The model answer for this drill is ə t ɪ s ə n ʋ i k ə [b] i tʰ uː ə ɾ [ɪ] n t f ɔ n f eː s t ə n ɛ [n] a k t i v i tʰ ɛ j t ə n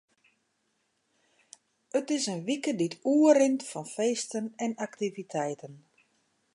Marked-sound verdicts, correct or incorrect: incorrect: d, correct, correct

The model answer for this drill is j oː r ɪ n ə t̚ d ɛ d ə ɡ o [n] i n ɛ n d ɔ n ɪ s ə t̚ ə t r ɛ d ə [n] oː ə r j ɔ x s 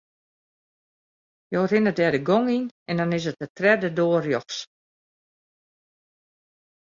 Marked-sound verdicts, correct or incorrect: incorrect: ŋ, incorrect: d

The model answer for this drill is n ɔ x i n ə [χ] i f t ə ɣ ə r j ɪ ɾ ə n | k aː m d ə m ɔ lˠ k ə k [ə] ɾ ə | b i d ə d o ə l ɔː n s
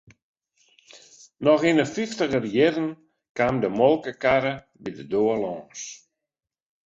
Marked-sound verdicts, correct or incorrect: incorrect: f, incorrect: a

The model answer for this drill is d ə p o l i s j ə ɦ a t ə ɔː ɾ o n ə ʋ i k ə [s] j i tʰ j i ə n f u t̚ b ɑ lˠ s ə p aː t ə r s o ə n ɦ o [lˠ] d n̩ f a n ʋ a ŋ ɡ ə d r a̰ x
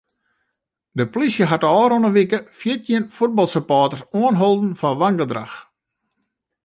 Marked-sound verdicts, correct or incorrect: incorrect: f, correct

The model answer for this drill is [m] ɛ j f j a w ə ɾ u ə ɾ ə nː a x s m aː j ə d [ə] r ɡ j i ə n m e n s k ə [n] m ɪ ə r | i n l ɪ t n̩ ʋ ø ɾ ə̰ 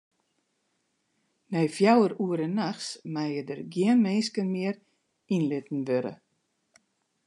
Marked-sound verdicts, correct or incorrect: incorrect: n, correct, correct

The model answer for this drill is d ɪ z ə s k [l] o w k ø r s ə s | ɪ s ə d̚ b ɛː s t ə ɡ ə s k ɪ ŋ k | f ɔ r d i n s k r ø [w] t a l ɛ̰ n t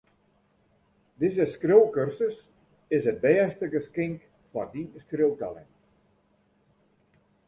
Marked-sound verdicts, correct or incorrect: incorrect: r, correct

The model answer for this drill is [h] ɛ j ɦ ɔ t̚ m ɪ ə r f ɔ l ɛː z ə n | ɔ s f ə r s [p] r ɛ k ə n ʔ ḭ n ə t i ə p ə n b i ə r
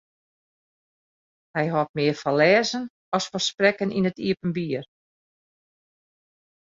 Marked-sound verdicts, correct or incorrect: correct, correct

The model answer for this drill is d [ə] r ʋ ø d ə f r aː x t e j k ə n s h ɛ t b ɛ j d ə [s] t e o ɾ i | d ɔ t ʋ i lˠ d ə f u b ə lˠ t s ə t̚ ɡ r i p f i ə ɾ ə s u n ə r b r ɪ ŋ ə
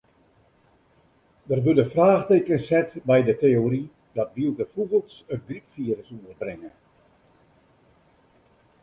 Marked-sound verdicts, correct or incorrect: correct, incorrect: none

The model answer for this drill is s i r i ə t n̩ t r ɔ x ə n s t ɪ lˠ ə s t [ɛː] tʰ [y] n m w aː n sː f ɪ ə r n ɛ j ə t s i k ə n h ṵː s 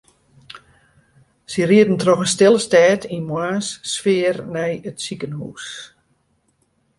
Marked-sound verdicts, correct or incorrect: correct, incorrect: i

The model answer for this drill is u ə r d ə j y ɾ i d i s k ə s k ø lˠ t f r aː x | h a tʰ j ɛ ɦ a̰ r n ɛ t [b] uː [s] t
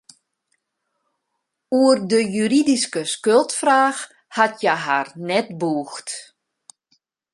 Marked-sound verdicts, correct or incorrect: correct, incorrect: x

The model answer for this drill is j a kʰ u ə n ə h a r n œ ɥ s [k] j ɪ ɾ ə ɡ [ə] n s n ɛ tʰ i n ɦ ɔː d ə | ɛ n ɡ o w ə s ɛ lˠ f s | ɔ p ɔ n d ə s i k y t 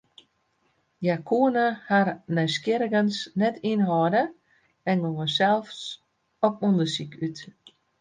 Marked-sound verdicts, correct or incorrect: correct, correct

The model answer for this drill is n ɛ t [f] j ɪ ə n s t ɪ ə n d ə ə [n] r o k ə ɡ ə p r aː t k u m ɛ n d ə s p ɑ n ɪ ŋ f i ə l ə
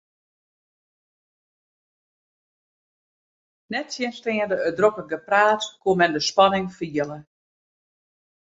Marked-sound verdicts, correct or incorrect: incorrect: s, incorrect: d

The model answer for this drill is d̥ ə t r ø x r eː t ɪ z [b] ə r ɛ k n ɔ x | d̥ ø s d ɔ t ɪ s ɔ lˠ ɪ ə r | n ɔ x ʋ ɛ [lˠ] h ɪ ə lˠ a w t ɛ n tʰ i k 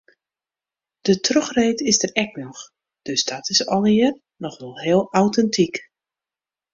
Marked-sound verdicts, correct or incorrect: incorrect: d, correct

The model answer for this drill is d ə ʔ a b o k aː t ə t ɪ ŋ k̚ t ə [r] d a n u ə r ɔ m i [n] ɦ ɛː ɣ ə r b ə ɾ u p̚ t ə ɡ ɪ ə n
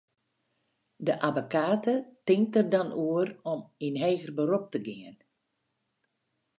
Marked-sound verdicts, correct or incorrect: correct, correct

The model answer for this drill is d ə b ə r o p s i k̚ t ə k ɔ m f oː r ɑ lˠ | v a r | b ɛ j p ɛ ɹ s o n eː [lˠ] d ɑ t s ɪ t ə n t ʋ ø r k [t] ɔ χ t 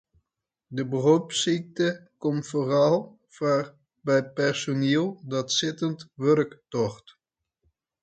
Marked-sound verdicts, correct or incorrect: correct, correct

